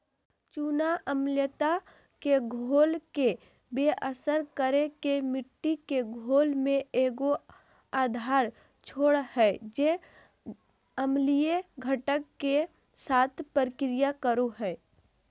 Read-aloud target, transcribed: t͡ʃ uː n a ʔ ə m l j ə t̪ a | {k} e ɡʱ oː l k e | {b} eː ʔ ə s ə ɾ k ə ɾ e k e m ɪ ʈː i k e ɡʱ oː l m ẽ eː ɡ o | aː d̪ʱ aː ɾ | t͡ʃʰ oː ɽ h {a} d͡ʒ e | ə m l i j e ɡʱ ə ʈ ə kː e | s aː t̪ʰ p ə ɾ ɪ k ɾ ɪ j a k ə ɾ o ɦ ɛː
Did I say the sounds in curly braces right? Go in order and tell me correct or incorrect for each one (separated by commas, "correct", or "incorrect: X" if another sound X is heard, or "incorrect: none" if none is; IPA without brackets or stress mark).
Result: correct, correct, incorrect: ɛ